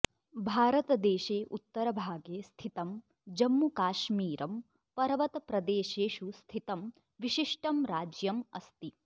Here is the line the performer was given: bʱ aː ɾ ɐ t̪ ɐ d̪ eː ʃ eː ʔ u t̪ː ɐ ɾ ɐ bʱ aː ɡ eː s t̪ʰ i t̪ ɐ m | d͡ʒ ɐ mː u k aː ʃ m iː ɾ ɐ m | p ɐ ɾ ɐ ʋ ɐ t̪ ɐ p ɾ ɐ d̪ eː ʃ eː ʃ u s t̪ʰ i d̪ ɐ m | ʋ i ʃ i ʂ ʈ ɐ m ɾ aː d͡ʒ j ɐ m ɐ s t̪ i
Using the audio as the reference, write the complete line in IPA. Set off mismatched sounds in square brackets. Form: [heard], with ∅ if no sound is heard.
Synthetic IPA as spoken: bʱ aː ɾ ɐ t̪ ɐ d̪ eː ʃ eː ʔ u t̪ː ɐ ɾ ɐ bʱ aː ɡ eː s t̪ʰ i t̪ ɐ m | d͡ʒ ɐ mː u k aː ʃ m iː ɾ ɐ m | p ɐ ɾ ɐ ʋ ɐ t̪ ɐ p ɾ ɐ d̪ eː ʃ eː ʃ u s t̪ʰ i [t̪] ɐ m | ʋ i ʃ i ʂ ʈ ɐ m ɾ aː d͡ʒ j ɐ m ɐ s t̪ i